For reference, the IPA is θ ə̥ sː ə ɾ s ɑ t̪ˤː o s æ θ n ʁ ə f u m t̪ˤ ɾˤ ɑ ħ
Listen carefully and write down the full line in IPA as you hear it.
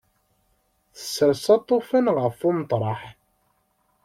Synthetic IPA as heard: θ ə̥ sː ə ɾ s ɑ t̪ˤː o f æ n ʁ ə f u m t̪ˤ ɾˤ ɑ ħ